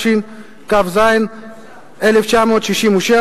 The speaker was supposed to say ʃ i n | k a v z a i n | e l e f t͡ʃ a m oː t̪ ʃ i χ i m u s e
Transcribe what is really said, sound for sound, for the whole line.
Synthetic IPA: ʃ i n | k a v z a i n | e l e f t͡ʃ a m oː t̪ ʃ i ʃ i m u ʃ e